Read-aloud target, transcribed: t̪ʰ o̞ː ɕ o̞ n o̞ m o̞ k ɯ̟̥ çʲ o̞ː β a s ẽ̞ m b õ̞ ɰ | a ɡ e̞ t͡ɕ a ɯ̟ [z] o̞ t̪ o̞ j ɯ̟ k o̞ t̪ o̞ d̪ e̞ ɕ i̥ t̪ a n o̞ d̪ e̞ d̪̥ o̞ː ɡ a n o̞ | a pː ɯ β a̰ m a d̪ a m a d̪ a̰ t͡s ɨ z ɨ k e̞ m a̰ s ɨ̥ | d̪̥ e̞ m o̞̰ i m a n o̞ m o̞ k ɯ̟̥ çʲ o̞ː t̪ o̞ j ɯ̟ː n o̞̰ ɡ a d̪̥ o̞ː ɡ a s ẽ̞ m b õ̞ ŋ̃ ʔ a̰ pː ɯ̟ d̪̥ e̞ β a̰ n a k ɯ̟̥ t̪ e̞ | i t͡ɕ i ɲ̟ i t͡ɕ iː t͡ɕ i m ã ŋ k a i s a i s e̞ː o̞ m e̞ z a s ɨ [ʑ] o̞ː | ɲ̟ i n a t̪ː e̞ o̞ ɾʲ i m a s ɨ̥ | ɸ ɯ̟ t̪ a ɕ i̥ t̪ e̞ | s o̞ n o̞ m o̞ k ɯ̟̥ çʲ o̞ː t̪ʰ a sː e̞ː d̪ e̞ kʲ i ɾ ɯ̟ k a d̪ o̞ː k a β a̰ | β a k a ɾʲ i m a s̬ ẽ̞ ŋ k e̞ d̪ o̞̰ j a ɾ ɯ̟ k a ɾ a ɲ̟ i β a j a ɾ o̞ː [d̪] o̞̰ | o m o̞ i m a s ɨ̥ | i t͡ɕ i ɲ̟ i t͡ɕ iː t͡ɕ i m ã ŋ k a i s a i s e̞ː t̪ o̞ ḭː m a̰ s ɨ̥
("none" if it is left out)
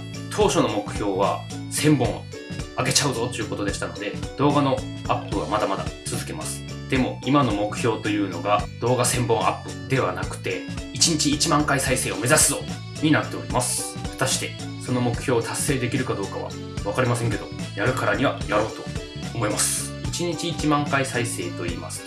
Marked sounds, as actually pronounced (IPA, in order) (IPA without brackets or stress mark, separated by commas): z, z, t̪